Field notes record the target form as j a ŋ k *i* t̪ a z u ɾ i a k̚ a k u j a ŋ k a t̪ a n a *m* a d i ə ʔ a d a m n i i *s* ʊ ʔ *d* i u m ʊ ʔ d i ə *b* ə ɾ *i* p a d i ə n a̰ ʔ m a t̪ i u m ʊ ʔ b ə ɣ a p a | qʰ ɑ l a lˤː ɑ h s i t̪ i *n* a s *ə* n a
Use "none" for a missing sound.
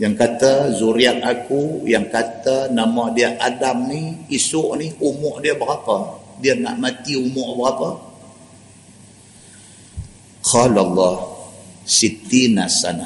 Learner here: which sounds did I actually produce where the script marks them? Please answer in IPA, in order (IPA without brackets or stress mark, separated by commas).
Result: a, m, s, n, b, a, n, a